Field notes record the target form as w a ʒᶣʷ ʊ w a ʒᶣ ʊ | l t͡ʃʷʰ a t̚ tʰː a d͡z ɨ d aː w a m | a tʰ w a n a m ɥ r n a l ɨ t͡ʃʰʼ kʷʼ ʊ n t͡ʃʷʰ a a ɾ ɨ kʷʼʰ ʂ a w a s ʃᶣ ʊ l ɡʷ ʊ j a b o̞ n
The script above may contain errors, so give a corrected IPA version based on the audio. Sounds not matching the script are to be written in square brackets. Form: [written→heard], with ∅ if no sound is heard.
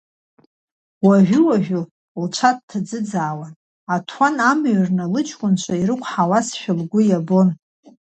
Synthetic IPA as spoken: w a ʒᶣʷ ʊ w a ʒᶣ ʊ | l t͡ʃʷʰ a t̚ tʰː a d͡z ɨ [d→d͡z] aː w a [m→n] | a tʰ w a n a m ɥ r n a l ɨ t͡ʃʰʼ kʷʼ ʊ n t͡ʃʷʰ a [a→i] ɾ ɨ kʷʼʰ [ʂ→ħ] a w a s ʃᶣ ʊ l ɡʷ ʊ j a b o̞ n